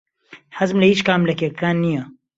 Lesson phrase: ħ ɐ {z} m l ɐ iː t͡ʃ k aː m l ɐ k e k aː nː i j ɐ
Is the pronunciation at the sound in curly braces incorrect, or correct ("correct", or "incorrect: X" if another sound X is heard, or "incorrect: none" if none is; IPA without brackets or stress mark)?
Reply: correct